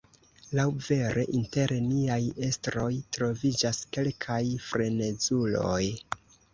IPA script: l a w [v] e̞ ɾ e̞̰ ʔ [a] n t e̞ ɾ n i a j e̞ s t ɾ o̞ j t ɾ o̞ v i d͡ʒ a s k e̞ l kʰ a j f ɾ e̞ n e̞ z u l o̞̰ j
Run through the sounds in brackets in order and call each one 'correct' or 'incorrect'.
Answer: correct, incorrect: i

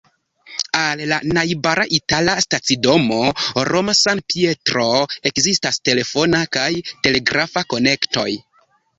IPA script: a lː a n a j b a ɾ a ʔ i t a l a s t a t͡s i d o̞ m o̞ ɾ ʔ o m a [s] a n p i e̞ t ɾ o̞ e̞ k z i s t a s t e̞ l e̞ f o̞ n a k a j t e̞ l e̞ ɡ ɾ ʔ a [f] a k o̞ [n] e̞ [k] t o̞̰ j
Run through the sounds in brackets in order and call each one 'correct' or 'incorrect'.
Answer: correct, correct, correct, correct

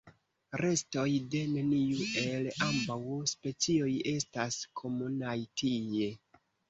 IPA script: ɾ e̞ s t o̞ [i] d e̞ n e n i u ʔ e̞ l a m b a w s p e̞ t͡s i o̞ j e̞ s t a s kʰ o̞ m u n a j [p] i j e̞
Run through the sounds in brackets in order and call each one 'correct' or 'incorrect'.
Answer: incorrect: j, incorrect: t

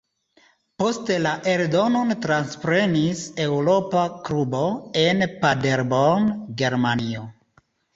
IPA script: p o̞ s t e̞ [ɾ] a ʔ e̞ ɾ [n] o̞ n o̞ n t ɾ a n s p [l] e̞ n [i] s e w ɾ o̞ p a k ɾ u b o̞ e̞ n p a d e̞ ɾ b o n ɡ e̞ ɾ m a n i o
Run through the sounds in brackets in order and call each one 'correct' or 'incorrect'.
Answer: incorrect: l, incorrect: d, incorrect: ɾ, correct

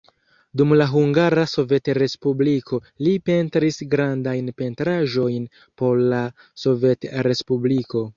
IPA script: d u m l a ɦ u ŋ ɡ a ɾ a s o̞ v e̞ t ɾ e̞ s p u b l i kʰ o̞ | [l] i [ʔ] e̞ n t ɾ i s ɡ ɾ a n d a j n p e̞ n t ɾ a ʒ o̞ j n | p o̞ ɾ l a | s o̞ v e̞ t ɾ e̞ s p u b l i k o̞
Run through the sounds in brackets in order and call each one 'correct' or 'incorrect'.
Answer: correct, incorrect: p

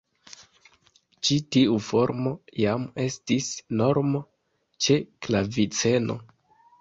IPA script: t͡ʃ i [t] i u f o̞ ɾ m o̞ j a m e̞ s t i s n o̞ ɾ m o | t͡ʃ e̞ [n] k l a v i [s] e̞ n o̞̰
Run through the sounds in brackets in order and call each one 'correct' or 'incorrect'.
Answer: correct, incorrect: none, incorrect: t͡s

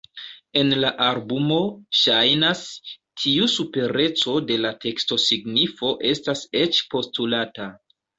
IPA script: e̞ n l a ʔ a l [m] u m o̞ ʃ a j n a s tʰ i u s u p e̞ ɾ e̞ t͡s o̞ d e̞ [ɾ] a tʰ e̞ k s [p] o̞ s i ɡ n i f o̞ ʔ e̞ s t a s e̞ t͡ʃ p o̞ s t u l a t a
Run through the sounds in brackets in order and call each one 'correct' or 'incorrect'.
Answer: incorrect: b, incorrect: l, incorrect: t

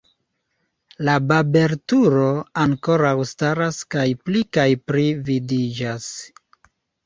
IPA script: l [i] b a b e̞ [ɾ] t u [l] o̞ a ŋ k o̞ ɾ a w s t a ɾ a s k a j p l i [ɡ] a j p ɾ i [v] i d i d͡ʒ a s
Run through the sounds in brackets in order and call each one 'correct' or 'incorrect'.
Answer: incorrect: a, correct, incorrect: ɾ, incorrect: k, correct

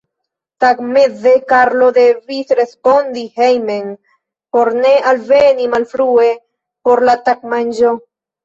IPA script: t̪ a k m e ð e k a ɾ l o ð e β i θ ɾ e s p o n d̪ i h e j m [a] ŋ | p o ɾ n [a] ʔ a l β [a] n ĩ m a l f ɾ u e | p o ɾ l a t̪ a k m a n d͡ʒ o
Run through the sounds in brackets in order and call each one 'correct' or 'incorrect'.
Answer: incorrect: e, incorrect: e, incorrect: e

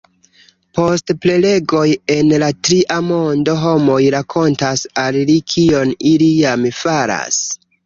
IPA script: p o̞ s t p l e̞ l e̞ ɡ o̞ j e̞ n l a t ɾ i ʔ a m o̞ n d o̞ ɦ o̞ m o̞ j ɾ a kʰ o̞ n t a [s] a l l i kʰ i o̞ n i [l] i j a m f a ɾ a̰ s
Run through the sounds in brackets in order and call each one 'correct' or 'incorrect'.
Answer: correct, correct

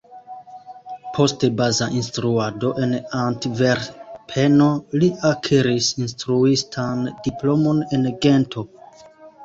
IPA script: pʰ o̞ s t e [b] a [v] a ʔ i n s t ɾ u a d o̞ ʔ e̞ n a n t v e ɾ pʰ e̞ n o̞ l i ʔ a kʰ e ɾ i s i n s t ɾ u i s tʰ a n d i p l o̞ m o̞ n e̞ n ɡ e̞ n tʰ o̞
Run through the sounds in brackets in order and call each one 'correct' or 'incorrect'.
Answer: correct, incorrect: z

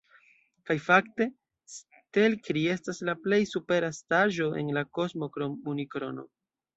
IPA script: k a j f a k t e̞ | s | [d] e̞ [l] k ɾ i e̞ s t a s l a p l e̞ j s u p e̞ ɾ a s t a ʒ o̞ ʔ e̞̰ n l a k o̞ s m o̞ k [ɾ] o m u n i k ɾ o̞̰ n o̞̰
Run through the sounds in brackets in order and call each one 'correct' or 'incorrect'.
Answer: incorrect: t, correct, correct

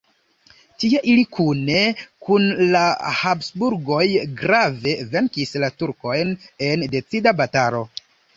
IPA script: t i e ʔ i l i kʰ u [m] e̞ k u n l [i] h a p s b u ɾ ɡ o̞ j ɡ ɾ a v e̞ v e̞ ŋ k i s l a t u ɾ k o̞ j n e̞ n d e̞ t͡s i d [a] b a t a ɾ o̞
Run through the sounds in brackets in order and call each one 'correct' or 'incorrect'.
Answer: incorrect: n, incorrect: a, correct

